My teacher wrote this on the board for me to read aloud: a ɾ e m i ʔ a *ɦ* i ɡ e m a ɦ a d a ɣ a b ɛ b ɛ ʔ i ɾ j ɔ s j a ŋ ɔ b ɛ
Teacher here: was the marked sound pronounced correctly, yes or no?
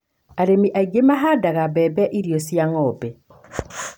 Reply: no